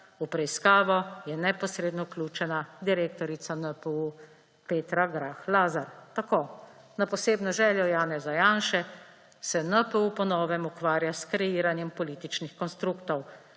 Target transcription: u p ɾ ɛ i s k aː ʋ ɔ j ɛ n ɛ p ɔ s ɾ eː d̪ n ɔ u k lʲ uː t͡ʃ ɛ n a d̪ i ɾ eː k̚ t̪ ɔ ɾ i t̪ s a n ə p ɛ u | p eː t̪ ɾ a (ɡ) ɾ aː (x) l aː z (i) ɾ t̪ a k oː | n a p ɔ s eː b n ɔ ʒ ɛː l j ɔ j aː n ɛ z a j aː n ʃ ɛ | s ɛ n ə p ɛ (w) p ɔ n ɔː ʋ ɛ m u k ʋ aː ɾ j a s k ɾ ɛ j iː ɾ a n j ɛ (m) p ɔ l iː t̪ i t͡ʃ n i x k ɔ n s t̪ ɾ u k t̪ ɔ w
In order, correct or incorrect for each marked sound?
correct, correct, incorrect: a, incorrect: u, correct

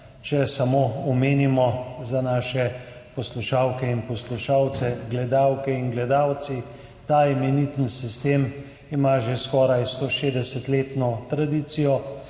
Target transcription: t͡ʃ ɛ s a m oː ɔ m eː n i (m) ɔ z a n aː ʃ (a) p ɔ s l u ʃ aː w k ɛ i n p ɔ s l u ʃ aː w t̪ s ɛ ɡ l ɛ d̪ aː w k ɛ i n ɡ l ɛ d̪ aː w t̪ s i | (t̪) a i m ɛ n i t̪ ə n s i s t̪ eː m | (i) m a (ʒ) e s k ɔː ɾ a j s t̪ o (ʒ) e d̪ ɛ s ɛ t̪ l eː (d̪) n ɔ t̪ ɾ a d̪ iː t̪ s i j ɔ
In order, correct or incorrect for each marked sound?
correct, incorrect: ɛ, correct, correct, correct, incorrect: ʃ, incorrect: t̪

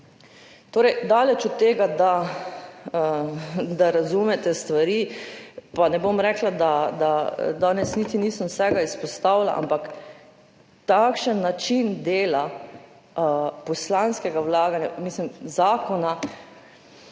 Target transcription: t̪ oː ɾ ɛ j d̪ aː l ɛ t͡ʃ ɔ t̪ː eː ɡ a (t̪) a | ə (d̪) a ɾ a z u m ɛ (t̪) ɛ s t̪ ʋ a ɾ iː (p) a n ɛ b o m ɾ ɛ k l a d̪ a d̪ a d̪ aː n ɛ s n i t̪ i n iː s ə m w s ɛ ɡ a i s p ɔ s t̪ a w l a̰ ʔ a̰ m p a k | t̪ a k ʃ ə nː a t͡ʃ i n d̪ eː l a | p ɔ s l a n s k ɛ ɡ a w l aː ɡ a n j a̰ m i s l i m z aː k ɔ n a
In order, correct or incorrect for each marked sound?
incorrect: d̪, correct, correct, correct

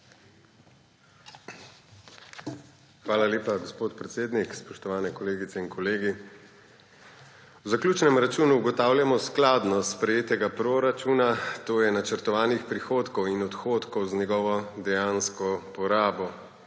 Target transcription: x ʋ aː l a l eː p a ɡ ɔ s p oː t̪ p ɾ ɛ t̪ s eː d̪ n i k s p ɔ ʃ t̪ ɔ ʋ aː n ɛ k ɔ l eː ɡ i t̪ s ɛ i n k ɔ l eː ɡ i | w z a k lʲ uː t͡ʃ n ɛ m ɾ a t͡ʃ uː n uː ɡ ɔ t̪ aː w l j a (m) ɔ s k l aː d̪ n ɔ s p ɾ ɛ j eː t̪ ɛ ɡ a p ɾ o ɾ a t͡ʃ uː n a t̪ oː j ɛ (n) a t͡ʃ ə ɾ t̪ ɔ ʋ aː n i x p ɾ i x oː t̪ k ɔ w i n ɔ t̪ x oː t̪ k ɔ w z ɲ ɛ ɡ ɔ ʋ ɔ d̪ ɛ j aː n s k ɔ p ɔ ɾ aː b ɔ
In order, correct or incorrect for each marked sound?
correct, correct

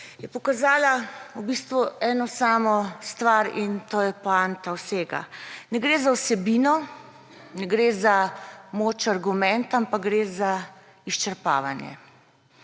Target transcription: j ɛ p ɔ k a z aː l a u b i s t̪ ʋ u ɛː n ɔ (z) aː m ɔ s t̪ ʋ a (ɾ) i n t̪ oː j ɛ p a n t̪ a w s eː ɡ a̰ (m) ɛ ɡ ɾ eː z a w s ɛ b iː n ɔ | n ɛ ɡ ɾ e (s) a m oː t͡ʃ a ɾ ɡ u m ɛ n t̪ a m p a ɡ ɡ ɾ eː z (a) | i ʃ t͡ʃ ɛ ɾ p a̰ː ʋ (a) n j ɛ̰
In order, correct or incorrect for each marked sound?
incorrect: s, correct, incorrect: n, incorrect: z, correct, correct

